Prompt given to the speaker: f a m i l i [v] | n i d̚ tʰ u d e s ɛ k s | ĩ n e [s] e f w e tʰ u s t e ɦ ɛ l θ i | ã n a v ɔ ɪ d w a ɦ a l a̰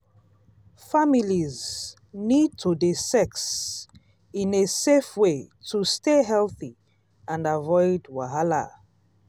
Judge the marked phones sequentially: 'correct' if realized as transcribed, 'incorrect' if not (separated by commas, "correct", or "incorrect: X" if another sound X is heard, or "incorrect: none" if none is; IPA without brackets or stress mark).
incorrect: z, correct